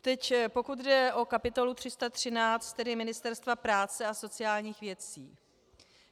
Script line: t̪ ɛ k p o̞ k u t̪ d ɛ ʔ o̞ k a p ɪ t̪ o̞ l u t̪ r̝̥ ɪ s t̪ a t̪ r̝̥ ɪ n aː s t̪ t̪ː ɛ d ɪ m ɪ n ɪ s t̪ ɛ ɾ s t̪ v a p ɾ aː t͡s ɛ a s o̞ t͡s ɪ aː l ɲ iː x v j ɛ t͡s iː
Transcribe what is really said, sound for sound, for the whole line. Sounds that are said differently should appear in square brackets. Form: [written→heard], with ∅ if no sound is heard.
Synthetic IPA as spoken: t̪ ɛ [k→c] p o̞ k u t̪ d ɛ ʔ o̞ k a p ɪ t̪ o̞ l u t̪ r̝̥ ɪ s t̪ a t̪ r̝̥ ɪ n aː [s→t͡s] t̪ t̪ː ɛ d ɪ m ɪ n ɪ s t̪ ɛ ɾ s t̪ v a p ɾ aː t͡s ɛ a s o̞ t͡s ɪ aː l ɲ iː x v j ɛ t͡s iː